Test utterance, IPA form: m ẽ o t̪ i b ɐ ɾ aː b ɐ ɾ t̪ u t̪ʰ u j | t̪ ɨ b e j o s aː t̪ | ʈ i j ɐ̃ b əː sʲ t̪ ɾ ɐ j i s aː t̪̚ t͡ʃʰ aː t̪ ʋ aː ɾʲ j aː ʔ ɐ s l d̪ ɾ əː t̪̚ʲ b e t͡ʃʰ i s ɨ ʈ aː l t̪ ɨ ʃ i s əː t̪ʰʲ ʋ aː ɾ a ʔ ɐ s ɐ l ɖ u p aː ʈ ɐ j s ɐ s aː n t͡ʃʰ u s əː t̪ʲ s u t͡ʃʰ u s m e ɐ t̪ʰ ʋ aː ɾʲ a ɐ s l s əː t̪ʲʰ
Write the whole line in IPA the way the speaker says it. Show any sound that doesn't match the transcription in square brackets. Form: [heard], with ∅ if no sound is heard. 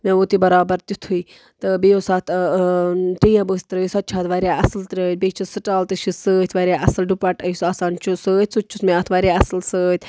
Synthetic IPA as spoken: m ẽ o t̪ i b ɐ ɾ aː b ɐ ɾ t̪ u t̪ʰ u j | t̪ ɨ b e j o s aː t̪ | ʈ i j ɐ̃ b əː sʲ t̪ ɾ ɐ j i s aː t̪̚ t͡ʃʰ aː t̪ ʋ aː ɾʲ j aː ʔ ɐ s l [t̪] ɾ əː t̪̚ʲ b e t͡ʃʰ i s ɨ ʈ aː l t̪ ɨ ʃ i s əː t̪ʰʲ ʋ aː ɾ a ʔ ɐ s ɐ l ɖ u p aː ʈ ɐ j s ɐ s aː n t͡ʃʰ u s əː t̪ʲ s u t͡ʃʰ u s m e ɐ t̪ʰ ʋ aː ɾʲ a ɐ s l s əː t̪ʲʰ